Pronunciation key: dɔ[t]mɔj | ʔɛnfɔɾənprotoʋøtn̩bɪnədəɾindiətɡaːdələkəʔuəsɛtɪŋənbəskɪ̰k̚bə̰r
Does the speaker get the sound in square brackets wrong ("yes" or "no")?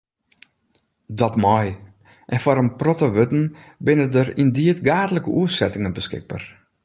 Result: no